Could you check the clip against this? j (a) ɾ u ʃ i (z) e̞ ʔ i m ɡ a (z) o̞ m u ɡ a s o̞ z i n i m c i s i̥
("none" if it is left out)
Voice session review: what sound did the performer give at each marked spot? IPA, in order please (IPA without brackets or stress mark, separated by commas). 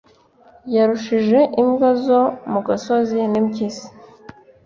a, ʒ, z